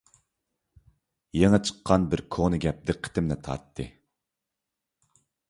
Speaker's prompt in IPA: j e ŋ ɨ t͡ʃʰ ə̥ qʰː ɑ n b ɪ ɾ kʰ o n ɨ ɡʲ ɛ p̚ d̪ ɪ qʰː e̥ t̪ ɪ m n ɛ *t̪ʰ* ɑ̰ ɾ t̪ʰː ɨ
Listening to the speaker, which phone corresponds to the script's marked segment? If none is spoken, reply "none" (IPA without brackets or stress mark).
t̪ʰ